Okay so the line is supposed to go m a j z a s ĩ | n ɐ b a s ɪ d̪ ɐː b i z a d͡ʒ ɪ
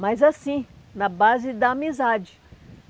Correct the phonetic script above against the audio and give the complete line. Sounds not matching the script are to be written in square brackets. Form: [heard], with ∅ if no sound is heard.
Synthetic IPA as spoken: m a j z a s ĩ | n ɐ b a [z] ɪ d̪ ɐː [m] i z a d͡ʒ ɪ